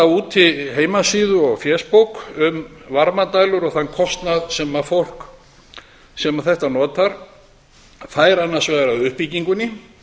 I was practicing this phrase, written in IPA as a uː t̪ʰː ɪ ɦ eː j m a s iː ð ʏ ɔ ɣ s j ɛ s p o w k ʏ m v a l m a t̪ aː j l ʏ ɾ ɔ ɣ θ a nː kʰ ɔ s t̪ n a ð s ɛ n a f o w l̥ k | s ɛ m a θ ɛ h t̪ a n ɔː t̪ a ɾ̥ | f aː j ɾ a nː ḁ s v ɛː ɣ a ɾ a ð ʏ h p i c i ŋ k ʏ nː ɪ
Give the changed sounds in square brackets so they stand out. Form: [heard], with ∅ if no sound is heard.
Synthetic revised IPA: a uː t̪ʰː ɪ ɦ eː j m a s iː ð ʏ ɔ ɣ [f] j ɛ s p o w k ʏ m v a [ɾ] m a t̪ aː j l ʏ ɾ ɔ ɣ θ a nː kʰ ɔ s t̪ n a ð s ɛ [m] a f o w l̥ k | s ɛ m a θ ɛ h t̪ a n ɔː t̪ a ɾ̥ | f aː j ɾ a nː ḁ s v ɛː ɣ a ɾ a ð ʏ h p i c i ŋ k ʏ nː ɪ